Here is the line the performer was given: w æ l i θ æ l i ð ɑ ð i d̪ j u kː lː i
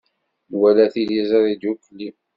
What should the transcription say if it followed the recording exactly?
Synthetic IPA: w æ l æ θ i l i z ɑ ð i d̪ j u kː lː i